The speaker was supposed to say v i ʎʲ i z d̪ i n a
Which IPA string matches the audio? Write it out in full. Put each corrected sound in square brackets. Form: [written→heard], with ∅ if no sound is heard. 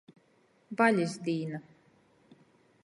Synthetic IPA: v [i→a] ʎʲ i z d̪ [i→iː] n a